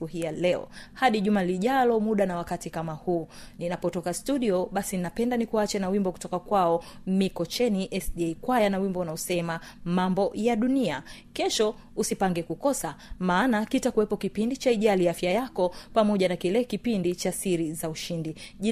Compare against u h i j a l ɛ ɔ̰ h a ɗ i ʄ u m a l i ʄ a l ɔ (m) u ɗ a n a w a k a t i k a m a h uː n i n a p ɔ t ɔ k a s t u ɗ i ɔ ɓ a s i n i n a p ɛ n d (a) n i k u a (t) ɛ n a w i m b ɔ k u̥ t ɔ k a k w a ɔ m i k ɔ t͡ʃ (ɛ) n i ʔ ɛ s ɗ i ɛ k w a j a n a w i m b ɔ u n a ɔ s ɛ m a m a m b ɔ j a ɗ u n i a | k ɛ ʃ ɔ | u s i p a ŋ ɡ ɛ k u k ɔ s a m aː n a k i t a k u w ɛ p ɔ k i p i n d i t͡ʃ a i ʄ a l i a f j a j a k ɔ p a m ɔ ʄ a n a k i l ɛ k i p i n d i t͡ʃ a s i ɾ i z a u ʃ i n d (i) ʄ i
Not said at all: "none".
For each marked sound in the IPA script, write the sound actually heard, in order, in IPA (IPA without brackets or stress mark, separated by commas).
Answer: m, a, t͡ʃ, ɛ, i